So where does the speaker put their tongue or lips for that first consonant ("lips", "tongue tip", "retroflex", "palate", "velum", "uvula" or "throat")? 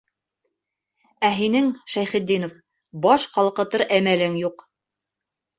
throat